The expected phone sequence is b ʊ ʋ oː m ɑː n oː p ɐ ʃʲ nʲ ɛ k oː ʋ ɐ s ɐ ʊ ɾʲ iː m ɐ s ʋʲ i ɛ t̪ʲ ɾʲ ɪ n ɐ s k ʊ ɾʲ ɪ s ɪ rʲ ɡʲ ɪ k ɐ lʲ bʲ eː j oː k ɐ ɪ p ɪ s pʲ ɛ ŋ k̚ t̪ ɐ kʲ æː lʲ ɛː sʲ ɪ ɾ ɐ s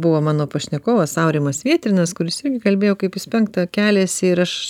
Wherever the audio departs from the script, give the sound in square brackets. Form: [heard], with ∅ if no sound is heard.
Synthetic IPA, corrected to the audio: b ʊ ʋ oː m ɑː n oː p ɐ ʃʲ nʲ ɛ k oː ʋ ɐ s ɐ ʊ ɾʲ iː m ɐ s ʋʲ i ɛ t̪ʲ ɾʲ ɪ n ɐ s k ʊ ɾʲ ɪ s ɪ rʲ ɡʲ ɪ k ɐ lʲ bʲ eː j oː k ɐ ɪ p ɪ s pʲ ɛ ŋ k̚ t̪ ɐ kʲ æː lʲ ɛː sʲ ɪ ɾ ɐ [ʃ]